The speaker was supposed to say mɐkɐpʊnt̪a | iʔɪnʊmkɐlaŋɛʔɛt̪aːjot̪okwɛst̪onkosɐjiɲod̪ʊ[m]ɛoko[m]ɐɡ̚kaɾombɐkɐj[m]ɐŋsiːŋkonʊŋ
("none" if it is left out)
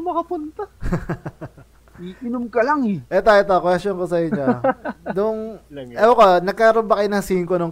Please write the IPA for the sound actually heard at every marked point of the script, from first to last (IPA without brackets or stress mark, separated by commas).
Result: ŋ, n, n